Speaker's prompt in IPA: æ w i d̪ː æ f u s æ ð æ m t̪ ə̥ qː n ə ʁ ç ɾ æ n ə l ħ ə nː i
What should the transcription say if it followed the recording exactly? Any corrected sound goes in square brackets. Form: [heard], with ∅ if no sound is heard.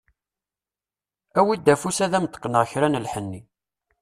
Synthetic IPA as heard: æ w i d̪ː æ f u s æ ð æ m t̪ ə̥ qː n ə ʁ ç ɾ æ n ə l ħ ə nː i